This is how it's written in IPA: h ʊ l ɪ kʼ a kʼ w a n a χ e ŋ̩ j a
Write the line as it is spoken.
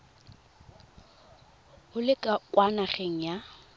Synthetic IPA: h ʊ l ɪ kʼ a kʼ w a n a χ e ŋ̩ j a